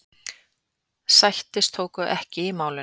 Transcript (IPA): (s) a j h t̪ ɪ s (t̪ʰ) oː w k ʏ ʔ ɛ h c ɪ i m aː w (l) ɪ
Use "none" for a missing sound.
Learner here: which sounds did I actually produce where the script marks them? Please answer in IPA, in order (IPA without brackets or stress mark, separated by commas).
s, t̪ʰ, l